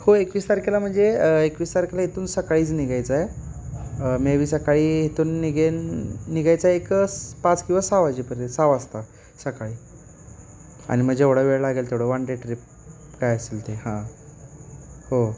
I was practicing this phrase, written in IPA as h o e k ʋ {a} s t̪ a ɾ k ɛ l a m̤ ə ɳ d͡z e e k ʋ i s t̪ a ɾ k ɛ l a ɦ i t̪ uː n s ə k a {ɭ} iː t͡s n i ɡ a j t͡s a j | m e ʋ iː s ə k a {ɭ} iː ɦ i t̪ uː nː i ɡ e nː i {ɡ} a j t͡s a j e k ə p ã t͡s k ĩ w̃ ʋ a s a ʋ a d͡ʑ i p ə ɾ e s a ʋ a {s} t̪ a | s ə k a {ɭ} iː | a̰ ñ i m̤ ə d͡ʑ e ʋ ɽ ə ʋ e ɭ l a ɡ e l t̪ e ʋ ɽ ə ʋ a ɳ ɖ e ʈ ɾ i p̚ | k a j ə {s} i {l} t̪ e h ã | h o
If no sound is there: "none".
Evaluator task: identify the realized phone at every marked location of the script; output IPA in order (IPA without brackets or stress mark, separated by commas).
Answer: i, ɭ, ɭ, ɡ, s, ɭ, s, l